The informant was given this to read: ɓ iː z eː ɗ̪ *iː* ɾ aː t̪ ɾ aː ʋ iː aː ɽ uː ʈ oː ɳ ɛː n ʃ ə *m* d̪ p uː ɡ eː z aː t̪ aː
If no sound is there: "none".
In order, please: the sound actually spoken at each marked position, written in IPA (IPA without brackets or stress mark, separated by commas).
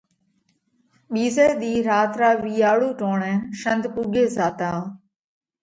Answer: iː, n